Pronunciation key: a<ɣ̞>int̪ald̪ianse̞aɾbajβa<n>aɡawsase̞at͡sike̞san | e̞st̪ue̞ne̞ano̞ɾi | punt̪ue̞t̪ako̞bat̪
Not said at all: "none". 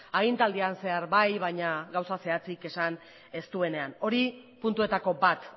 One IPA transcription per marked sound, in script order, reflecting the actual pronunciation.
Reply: ɣ̞, ɲ

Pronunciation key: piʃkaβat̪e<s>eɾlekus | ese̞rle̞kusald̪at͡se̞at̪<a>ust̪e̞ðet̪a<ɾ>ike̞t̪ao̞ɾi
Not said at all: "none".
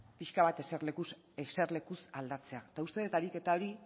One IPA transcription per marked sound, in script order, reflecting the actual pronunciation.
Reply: s, a, ɾ

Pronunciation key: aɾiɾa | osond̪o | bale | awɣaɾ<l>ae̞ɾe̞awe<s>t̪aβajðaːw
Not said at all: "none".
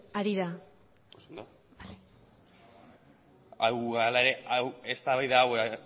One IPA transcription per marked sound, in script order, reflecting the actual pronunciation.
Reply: l, s

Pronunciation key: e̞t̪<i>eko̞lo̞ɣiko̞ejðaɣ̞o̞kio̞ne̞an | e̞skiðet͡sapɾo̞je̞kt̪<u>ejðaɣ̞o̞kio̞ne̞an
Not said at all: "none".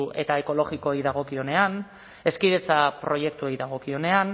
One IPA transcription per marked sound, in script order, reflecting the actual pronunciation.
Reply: a, u

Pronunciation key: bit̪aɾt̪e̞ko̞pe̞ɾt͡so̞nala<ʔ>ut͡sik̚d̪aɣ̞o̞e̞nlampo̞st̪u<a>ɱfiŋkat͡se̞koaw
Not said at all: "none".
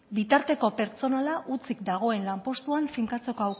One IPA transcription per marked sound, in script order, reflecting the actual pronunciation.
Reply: ʔ, a

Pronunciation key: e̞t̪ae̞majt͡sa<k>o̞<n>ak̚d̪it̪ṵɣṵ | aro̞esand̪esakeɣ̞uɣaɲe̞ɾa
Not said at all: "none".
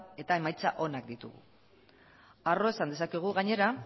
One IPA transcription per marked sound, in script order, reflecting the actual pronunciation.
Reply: ʔ, n

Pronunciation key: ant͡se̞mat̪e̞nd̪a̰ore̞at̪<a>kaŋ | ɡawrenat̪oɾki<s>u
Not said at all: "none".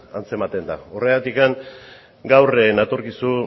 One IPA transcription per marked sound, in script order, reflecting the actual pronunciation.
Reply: i, s

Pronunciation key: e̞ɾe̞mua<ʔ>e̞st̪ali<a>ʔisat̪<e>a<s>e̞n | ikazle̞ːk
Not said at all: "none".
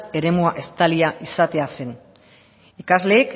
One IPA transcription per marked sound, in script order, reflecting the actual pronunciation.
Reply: ʔ, a, e, s

